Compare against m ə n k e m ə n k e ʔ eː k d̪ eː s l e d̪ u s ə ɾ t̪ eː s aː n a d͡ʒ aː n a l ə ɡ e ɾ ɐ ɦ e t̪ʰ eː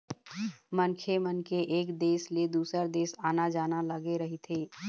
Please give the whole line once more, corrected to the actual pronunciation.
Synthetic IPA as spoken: m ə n kʰ e m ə n k e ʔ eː k d̪ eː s l e d̪ uː s ə ɾ d̪ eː s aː n a d͡ʒ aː n a l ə ɡ e ɾ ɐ ɦ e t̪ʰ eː